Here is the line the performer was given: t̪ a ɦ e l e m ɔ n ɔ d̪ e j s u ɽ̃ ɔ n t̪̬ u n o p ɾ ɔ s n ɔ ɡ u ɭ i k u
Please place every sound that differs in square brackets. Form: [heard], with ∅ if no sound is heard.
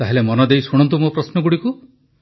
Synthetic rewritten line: t̪ a ɦ e l e m ɔ n ɔ d̪ e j s u ɽ̃ ɔ n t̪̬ u [m] o p ɾ ɔ s n ɔ ɡ u [ɽ] i k u